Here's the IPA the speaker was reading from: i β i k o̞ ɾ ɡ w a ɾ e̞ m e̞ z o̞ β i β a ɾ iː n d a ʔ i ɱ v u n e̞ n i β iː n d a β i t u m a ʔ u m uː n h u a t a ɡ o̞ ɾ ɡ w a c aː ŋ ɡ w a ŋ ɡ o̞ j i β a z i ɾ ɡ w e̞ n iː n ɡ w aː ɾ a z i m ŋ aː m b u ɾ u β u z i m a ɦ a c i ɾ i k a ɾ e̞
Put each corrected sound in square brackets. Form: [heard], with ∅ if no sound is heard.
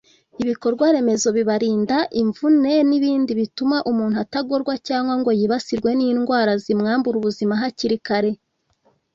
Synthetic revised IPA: i β i k o̞ ɾ ɡ w a ɾ e̞ m e̞ z o̞ β i β a ɾ iː n d a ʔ i ɱ v u n e̞ n i β iː n d [i] β i t u m a ʔ u m uː n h u a t a ɡ o̞ ɾ ɡ w a c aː ŋ ɡ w a ŋ ɡ o̞ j i β a [s] i ɾ ɡ w e̞ n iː n ɡ w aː ɾ a z i m ŋ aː m b u ɾ u β u z i m a ɦ a c i ɾ i k a ɾ e̞